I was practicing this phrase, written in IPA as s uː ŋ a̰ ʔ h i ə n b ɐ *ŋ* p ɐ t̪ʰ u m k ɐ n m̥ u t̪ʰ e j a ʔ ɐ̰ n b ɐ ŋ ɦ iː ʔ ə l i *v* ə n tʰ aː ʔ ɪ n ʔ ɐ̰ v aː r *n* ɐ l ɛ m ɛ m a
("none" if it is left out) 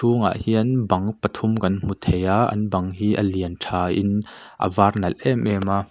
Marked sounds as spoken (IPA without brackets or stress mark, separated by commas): ŋ, none, n